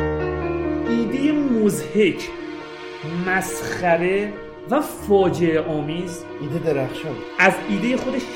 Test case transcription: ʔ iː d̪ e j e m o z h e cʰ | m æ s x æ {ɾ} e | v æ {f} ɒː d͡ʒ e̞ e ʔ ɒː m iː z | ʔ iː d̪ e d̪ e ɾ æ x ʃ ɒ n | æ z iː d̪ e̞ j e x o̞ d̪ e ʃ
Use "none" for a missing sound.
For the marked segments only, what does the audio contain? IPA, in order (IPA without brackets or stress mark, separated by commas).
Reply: ɾ, f